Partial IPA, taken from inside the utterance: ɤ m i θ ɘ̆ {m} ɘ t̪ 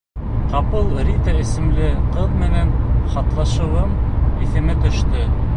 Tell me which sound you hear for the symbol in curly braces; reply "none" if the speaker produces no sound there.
m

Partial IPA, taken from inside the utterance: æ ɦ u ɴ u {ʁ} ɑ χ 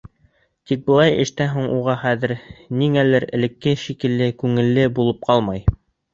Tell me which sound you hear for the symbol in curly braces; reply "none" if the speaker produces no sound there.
ʁ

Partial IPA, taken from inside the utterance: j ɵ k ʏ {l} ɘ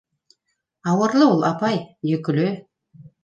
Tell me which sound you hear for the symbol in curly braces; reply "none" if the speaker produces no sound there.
l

